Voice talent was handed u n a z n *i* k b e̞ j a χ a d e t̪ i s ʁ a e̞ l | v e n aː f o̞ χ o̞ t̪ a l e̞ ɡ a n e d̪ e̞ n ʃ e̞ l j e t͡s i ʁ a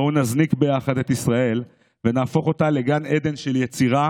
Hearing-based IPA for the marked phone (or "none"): i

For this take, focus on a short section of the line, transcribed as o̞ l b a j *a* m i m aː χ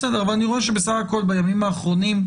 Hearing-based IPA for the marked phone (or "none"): a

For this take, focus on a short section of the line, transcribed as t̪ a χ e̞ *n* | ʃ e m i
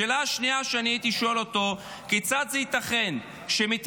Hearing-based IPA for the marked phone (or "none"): n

